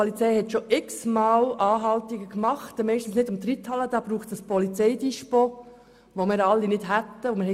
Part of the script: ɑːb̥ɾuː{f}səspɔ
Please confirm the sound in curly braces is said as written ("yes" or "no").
no